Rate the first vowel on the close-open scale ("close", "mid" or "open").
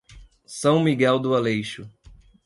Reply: open